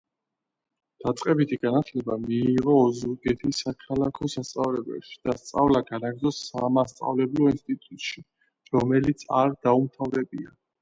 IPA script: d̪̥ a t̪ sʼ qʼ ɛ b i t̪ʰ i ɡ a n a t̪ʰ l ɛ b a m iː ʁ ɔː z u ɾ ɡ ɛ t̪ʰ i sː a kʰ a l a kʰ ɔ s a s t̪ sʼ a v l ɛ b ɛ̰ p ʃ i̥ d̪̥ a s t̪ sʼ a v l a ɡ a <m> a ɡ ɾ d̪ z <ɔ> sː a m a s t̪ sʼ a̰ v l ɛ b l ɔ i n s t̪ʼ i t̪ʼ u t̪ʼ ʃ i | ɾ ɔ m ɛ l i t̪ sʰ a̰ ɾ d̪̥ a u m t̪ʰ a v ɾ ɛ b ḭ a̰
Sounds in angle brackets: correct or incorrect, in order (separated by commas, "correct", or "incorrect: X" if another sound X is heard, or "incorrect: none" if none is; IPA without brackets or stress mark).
incorrect: n, correct